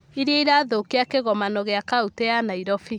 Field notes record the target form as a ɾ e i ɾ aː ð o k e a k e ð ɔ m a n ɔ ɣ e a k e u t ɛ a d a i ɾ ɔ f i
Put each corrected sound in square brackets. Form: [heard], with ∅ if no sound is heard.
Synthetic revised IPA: [i] ɾ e i ɾ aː ð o k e a k e [ɣ] ɔ m a n ɔ ɣ e a k [a] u t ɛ a [n] a i ɾ ɔ f i